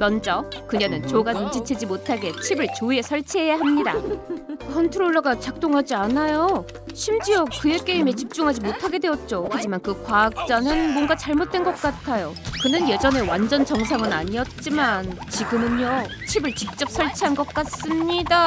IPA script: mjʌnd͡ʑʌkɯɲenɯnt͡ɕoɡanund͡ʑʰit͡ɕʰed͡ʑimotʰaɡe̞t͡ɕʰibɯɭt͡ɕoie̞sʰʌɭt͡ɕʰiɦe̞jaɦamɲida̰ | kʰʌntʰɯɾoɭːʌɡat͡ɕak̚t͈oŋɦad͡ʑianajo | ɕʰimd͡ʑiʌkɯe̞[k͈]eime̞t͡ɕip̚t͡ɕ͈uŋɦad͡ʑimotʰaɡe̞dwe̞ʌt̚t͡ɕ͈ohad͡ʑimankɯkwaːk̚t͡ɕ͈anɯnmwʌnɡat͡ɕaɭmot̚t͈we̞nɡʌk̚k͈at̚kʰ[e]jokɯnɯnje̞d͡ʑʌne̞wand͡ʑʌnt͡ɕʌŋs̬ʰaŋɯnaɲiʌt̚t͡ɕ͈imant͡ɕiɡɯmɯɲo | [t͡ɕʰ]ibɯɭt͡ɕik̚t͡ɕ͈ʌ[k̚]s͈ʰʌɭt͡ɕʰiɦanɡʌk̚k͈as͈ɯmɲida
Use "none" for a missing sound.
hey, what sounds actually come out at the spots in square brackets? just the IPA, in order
k͈, a, t͡ɕʰ, p̚

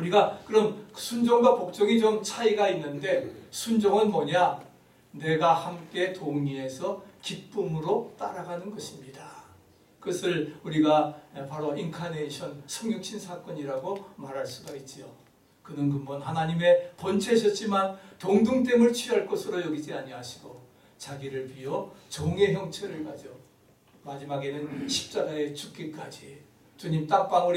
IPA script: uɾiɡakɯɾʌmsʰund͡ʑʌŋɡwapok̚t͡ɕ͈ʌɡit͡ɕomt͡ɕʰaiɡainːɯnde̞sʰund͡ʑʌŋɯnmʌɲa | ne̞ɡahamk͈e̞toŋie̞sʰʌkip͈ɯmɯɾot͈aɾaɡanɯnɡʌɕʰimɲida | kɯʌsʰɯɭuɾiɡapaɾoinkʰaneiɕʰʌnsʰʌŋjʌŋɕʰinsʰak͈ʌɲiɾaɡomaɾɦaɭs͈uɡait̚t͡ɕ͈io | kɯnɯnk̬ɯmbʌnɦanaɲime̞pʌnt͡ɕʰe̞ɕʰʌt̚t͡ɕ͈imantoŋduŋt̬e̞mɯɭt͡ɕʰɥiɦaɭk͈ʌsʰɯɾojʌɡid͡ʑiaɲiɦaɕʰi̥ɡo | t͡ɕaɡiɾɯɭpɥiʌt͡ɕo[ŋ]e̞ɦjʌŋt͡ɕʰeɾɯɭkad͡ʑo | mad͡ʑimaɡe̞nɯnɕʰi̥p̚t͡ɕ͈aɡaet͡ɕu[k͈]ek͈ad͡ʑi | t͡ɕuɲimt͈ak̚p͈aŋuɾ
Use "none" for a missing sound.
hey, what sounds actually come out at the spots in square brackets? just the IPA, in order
ŋ, k͈

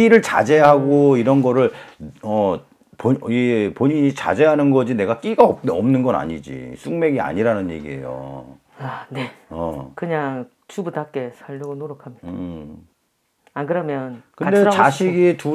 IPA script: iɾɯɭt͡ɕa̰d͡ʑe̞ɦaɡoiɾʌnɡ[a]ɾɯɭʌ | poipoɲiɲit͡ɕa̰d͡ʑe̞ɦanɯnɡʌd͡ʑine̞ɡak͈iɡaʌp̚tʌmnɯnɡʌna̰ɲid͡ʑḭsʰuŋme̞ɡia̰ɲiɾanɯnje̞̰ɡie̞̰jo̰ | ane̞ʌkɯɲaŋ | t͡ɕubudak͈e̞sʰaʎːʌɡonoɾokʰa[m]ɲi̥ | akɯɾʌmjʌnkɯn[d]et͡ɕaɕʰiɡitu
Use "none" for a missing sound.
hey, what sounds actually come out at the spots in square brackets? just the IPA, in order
ʌ, m, d

